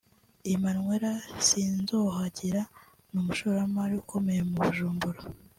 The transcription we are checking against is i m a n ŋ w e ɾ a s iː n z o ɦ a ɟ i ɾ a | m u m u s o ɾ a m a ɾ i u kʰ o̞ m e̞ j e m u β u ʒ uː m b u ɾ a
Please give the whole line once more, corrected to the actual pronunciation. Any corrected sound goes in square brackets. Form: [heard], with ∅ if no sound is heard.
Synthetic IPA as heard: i m a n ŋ w e ɾ a s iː n z o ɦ a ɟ i ɾ a | [n] u m u [ʃ] o ɾ a m a ɾ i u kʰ o̞ m e̞ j e m u β u ʒ uː m b u ɾ a